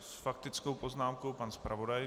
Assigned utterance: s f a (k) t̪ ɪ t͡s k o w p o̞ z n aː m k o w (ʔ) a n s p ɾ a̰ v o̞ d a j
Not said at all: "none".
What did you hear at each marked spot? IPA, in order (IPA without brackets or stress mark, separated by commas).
k, p